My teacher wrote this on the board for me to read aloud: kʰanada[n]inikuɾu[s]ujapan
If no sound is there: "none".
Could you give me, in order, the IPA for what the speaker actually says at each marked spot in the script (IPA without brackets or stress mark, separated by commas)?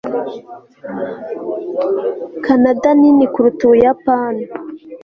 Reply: n, t